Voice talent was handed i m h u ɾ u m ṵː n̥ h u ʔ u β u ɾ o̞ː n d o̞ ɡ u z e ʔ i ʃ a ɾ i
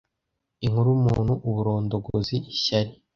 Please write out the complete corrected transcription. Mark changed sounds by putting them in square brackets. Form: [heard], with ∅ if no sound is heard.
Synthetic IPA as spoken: i [ŋ] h u ɾ u m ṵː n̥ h u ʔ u β u ɾ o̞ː n d o̞ ɡ [o] z [i] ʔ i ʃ a ɾ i

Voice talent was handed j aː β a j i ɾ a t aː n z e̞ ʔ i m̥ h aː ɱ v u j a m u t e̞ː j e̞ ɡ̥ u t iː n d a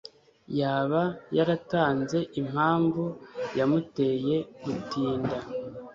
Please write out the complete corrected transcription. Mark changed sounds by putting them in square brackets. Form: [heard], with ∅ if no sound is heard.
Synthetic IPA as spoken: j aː β a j [a] ɾ a t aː n z e̞ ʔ i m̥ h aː ɱ v u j a m u t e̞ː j e̞ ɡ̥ u t iː n d a

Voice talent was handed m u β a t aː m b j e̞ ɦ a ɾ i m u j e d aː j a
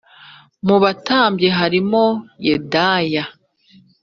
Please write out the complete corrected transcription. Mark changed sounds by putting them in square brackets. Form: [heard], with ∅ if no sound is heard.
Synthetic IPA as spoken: m u β a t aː m b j e̞ ɦ a ɾ i m [o] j e d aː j a

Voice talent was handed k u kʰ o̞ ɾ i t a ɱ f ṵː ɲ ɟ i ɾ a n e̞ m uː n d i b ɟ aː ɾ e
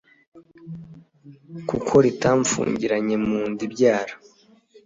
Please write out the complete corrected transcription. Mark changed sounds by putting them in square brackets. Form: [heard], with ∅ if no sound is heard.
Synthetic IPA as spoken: k u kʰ o̞ ɾ i t a ɱ f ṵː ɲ ɟ i ɾ a [ɲ] e̞ m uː n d i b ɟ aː ɾ [a]

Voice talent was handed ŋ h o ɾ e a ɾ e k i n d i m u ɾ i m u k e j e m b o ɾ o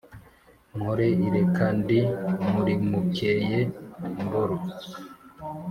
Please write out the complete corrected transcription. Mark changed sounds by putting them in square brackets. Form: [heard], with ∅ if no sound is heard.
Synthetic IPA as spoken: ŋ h o ɾ e [i] ɾ e k [a] n d i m u ɾ i m u k e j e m b o ɾ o

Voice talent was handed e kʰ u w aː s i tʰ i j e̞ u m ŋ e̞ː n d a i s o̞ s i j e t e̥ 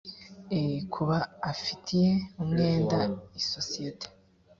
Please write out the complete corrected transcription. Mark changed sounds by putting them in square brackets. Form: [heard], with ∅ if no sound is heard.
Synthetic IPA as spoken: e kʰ u [β] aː [f] i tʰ i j e̞ u m ŋ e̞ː n d a i s o̞ s i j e t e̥

